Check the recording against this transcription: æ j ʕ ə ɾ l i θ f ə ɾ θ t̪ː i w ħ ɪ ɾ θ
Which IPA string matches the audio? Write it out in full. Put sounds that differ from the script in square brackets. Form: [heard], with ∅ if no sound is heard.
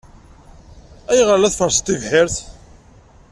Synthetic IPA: æ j [ʁ] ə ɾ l [æ] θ f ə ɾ [s] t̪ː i [v] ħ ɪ ɾ θ